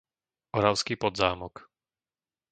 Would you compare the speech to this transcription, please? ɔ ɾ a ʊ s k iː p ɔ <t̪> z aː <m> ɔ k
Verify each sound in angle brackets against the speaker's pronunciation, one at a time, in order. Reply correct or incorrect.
incorrect: d̪, correct

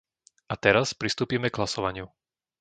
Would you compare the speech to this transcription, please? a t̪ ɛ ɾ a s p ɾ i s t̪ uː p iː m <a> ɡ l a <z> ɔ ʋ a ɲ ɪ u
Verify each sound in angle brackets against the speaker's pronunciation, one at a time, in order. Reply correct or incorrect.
incorrect: ɛ, incorrect: s

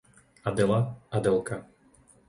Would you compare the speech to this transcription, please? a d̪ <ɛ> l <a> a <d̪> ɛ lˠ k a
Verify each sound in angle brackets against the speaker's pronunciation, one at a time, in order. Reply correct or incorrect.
correct, correct, correct

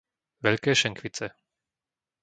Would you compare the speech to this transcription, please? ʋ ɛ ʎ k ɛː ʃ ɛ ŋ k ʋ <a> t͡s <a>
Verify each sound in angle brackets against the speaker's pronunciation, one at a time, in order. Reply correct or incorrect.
incorrect: i, incorrect: ɛ

